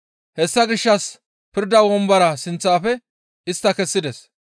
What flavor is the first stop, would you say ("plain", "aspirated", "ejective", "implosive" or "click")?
plain